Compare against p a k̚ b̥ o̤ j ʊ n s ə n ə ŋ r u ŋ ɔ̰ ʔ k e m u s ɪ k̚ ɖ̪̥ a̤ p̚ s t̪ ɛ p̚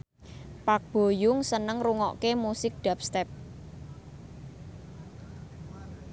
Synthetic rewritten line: p a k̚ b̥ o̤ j ʊ ŋ s ə n ə ŋ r u ŋ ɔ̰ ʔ k e m u s ɪ k̚ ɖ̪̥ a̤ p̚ s t̪ ɛ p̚